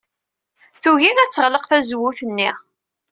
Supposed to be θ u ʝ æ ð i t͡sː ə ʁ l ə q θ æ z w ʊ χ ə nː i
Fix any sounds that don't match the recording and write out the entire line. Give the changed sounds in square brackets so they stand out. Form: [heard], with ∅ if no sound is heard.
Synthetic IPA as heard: θ u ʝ [i] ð [æ] t͡sː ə ʁ l ə q θ æ z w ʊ [θ] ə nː i